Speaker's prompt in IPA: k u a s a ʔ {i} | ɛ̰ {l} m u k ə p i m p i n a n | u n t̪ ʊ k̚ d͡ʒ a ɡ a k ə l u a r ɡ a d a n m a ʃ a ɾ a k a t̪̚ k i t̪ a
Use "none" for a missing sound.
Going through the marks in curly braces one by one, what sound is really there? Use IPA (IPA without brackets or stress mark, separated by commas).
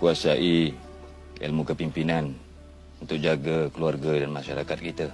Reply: i, l